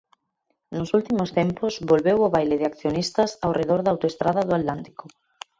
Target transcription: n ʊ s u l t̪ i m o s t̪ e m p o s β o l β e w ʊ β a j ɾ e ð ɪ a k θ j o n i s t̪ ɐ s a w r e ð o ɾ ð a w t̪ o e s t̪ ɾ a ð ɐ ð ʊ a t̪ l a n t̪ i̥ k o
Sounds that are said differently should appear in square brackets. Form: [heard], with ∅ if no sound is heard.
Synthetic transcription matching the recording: n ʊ s u l t̪ i m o s t̪ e m p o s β o l β e w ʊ β a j [l] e ð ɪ a k θ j o n i s t̪ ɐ s a w r e ð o ɾ ð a w t̪ o e s t̪ ɾ a ð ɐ ð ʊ a t̪ l a n t̪ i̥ k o